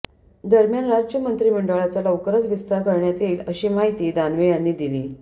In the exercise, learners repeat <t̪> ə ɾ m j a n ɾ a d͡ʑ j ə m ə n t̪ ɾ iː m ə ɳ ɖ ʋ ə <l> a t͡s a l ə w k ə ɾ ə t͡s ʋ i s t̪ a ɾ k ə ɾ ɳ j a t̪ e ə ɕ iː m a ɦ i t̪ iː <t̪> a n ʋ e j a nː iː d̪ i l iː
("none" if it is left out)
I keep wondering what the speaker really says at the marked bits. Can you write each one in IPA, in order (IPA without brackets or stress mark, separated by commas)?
d̪, ɭ, d̪